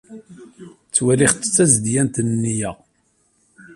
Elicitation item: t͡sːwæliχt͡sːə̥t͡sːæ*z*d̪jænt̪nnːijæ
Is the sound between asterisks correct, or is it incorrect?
correct